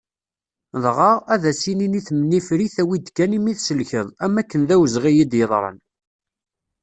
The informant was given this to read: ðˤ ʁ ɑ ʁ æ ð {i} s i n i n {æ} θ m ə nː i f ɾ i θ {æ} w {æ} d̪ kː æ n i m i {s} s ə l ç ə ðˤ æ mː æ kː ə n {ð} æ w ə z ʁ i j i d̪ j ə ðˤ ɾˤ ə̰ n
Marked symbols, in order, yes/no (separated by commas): no, no, yes, no, no, yes